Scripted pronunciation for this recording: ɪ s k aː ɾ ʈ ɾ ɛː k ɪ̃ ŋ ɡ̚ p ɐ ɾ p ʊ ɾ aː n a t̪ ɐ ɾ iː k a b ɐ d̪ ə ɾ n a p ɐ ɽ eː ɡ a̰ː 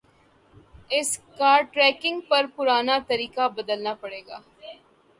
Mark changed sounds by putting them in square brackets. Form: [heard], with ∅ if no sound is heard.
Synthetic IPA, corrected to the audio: ɪ s k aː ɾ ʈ ɾ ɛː k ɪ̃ ŋ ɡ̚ p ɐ ɾ p ʊ ɾ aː n a t̪ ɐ ɾ iː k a b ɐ d̪ ə [l] n a p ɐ ɽ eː ɡ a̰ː